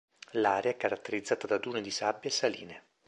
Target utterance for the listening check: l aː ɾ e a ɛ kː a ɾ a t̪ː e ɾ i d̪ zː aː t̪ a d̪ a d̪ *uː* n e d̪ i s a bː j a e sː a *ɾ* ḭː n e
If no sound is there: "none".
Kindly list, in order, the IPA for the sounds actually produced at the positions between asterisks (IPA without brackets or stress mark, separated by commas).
uː, l